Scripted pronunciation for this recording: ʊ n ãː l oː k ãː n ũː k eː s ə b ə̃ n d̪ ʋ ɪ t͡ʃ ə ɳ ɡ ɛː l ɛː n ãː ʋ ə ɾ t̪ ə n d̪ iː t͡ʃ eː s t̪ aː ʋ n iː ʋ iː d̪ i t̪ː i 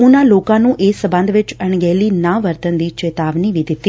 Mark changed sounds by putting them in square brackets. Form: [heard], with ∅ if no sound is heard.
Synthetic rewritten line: ʊ n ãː l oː k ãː n ũː [ʔ] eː s ə b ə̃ n d̪ ʋ ɪ t͡ʃ ə ɳ ɡ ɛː l [iː] n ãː ʋ ə ɾ t̪ ə n d̪ iː t͡ʃ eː [∅] t̪ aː ʋ n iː ʋ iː d̪ [ɪ] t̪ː i